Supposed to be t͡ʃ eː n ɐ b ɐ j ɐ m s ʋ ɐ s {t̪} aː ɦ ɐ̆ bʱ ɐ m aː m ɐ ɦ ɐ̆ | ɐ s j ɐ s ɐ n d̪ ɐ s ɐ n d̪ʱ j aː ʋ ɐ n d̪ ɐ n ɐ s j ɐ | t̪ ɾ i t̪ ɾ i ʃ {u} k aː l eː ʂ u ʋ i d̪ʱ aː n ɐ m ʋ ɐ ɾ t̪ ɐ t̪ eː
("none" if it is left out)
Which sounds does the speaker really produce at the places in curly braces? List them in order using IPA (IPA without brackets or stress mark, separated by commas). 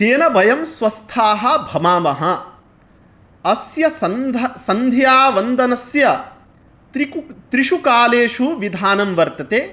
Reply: t̪ʰ, u